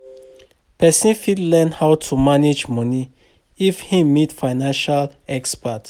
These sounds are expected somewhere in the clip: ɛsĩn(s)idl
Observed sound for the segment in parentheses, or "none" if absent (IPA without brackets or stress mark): f